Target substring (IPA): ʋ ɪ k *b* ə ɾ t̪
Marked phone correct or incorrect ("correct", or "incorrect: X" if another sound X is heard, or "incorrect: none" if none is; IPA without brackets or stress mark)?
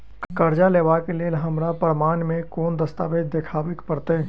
incorrect: p